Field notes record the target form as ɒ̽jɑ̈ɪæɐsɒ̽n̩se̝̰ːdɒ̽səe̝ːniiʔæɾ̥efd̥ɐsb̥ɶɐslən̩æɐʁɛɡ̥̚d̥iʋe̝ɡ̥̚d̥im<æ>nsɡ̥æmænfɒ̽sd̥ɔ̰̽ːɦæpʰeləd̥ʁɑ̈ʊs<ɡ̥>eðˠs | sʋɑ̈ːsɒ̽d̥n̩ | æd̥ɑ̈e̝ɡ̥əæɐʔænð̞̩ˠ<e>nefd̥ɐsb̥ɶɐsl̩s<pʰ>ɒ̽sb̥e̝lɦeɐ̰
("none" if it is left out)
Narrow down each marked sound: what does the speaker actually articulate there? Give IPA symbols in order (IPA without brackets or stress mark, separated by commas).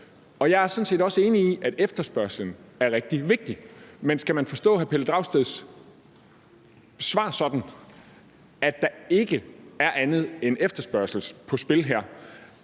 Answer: e, d̥, e, pʰ